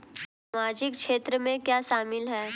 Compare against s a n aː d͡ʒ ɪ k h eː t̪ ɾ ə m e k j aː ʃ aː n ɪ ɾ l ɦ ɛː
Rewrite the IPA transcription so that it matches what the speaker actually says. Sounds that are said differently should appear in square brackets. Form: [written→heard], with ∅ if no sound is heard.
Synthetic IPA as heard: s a [n→m] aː d͡ʒ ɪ k [h→ʃ] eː t̪ ɾ ə m [e→ẽ] k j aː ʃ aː [n→m] ɪ [ɾ→∅] l ɦ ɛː